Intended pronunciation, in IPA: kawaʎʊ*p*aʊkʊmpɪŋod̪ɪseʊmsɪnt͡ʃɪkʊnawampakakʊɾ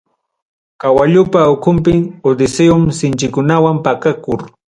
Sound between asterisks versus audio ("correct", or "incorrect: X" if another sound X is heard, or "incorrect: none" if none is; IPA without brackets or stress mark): correct